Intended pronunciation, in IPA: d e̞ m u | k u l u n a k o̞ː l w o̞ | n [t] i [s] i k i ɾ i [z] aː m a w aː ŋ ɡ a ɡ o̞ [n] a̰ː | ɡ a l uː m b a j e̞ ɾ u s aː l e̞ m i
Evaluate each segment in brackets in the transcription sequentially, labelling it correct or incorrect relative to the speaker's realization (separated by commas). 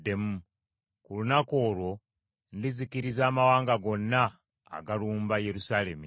incorrect, incorrect, correct, incorrect